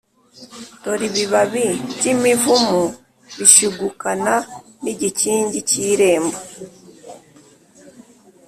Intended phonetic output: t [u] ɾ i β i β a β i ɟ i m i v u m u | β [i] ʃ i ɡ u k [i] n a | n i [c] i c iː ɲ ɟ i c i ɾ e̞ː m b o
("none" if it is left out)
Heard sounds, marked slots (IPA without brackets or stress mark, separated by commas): o, i, a, ɟ